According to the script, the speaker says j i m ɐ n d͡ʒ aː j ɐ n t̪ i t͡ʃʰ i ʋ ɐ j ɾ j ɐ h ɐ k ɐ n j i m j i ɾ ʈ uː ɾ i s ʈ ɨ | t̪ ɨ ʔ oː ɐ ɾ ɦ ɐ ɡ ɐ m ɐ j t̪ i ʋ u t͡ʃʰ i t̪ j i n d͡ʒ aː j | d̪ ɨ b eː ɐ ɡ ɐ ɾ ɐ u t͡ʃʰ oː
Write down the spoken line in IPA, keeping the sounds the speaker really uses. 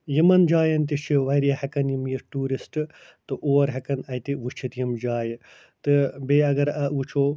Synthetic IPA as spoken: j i m ɐ n d͡ʒ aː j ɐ n t̪ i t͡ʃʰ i ʋ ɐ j ɾ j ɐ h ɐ k ɐ n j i m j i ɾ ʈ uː ɾ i s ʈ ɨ | t̪ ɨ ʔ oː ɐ ɾ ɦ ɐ k ɐ n ɐ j t̪ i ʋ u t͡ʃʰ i t̪ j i m d͡ʒ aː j | t̪ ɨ b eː ɐ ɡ ɐ ɾ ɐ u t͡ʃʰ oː